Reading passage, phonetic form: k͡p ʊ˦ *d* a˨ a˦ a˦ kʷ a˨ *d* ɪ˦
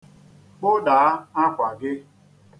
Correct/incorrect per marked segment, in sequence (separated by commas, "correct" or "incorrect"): correct, incorrect